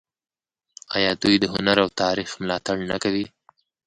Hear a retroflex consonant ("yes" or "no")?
yes